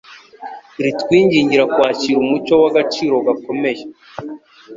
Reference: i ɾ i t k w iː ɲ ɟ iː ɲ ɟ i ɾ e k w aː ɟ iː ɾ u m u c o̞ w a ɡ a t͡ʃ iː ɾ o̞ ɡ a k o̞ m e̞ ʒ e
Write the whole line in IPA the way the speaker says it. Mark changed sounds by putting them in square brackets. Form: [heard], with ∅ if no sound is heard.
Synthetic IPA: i ɾ i t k w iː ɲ ɟ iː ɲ ɟ i ɾ [a] k w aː [c] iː ɾ u m u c o̞ w a ɡ a t͡ʃ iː ɾ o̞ ɡ a k o̞ m e̞ ʒ e